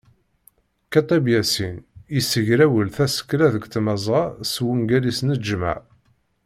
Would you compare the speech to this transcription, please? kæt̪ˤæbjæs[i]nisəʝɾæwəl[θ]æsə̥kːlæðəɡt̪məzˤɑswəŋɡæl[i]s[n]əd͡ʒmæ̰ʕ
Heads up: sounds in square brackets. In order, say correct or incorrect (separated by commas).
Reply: correct, correct, correct, correct